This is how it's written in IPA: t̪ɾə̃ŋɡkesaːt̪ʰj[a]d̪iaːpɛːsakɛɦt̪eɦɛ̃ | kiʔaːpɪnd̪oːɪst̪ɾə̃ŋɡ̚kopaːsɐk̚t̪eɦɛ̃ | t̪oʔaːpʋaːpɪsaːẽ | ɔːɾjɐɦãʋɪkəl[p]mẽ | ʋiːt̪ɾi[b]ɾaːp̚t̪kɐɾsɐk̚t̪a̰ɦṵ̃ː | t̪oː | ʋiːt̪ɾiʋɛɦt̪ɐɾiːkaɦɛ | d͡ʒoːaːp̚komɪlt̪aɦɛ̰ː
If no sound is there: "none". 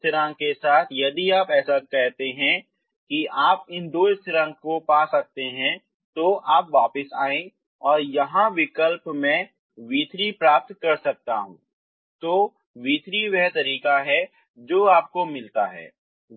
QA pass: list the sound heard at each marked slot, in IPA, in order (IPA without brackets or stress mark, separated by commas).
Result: ɐ, p, p